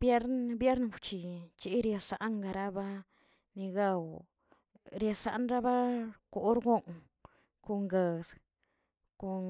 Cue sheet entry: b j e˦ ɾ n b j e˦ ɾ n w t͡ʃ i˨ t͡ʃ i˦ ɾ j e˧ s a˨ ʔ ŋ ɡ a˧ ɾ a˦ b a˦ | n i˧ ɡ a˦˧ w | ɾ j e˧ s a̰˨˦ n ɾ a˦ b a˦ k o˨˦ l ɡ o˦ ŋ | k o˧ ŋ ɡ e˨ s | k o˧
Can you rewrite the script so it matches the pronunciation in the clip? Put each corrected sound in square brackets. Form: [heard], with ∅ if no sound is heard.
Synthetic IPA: b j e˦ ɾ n b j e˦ ɾ n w t͡ʃ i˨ t͡ʃ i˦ ɾ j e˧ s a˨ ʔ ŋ ɡ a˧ ɾ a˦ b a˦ | n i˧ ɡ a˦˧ w | ɾ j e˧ s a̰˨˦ n ɾ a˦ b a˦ k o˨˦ [ɾ] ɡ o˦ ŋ | k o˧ ŋ ɡ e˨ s | k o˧